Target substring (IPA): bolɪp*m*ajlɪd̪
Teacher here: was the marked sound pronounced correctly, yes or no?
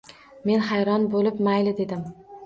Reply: yes